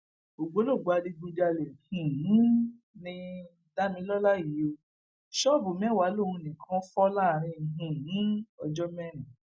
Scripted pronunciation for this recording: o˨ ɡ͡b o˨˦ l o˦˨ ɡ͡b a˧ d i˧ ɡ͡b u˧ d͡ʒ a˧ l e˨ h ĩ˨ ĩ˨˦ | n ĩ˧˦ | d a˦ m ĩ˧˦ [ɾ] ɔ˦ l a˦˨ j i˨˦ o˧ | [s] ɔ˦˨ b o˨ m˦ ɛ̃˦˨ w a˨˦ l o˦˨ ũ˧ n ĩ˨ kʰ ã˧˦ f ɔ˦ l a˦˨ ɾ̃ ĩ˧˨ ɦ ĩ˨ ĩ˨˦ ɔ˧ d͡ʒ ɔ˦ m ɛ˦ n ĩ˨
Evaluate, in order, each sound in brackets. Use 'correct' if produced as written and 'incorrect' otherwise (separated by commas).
incorrect, incorrect